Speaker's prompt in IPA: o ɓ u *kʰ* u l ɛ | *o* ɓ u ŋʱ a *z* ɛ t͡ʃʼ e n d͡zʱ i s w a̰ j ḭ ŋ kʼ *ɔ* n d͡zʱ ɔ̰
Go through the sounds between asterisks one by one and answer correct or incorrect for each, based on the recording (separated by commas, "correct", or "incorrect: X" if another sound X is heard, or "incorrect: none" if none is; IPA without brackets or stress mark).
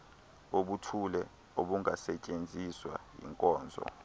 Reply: incorrect: tʰ, correct, incorrect: s, incorrect: ɔː